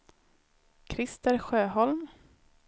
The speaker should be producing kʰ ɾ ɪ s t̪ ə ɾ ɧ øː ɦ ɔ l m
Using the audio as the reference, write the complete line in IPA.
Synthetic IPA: kʰ ɾ ɪ s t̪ ə ɾ ɧ øː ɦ ɔ l m

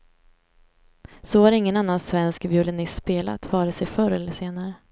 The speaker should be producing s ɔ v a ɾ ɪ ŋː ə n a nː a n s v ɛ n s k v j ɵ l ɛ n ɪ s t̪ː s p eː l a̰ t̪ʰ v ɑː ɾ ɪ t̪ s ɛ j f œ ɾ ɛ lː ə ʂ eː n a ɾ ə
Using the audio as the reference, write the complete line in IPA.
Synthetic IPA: s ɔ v a ɾ ɪ ŋː ə n a nː a n s v ɛ n s k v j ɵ l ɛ n ɪ s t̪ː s p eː l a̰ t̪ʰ v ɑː ɾ ɪ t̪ s ɛ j f œ ɾ ɛ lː ə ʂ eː n a ɾ ə

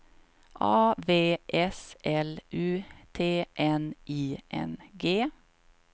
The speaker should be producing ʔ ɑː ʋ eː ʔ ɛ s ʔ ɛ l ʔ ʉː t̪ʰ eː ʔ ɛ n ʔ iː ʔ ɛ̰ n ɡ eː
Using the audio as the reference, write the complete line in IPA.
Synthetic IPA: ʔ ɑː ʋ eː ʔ ɛ s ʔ ɛ l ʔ ʉː t̪ʰ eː ʔ ɛ n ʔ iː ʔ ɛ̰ n ɡ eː

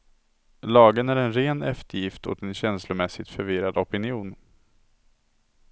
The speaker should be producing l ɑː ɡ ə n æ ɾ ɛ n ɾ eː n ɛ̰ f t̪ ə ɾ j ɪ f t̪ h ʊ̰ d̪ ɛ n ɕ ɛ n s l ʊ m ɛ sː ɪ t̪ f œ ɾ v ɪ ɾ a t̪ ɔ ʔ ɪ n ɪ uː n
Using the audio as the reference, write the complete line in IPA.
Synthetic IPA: l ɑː ɡ ə n æ ɾ ɛ n ɾ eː n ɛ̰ f t̪ ə ɾ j ɪ f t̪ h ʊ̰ t̪ ɛ n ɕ ɛ n s l ʊ m ɛ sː ɪ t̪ f œ ɾ v ɪ ɾ a d̪ ɔ p ɪ n ɪ uː n

